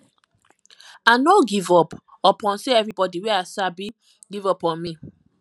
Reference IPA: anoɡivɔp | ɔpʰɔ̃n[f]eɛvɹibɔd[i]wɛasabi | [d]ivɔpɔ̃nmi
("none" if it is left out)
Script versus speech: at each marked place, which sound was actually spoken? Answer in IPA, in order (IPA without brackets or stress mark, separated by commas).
s, i, ɡ